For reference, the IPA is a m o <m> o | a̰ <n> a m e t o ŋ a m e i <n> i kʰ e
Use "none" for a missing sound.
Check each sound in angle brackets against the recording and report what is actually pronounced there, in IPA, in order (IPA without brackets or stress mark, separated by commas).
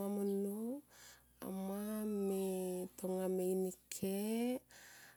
n, m, n